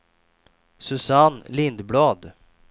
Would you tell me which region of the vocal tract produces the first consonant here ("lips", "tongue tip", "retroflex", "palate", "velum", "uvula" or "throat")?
tongue tip